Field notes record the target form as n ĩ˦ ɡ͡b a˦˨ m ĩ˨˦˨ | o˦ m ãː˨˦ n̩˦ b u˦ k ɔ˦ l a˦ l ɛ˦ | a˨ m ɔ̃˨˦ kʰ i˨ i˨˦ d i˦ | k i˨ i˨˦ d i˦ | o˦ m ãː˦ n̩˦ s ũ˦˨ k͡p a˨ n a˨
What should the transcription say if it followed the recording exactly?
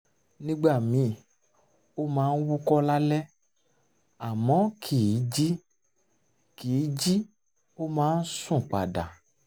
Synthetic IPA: n ĩ˦ ɡ͡b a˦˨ m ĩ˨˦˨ | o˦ m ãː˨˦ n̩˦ w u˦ k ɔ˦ l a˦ l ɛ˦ | a˨ m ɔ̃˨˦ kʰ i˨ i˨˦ d͡ʒ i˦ | k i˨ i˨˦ d͡ʒ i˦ | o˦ m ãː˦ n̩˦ s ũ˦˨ k͡p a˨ d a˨